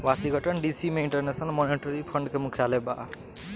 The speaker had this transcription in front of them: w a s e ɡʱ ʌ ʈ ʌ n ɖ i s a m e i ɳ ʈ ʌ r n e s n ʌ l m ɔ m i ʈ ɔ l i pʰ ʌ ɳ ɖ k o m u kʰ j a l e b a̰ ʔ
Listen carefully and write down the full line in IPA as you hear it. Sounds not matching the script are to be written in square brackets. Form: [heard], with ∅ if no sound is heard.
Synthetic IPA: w a s [i] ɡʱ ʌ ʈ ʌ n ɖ i s [i] m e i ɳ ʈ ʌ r n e s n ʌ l m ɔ [n] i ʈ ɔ [ɾ] i pʰ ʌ ɳ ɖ k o m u kʰ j a l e b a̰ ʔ